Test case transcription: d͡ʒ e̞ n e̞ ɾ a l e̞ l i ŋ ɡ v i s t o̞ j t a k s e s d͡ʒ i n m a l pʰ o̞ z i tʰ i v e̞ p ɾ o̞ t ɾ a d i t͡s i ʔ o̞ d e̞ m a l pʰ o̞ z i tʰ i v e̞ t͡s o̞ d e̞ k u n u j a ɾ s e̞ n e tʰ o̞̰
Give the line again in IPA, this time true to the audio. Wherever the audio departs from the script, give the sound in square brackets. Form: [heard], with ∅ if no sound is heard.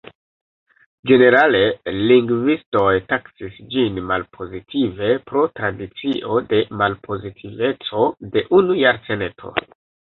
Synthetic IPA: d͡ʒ e̞ n e̞ ɾ a l e̞ l i ŋ ɡ v i s t o̞ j t a k s [i] s d͡ʒ i n m a l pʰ o̞ z i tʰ i v e̞ p ɾ o̞ t ɾ a d i t͡s i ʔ o̞ d e̞ m a l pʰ o̞ z i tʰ i v e̞ t͡s o̞ d e̞ [ʔ] u n u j a ɾ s e̞ n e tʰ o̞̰